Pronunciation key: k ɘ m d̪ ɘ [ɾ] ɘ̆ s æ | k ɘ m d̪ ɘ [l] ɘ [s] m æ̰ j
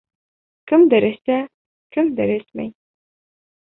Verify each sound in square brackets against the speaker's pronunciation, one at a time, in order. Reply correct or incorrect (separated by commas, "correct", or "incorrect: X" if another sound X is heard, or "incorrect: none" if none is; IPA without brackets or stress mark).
correct, incorrect: ɾ, correct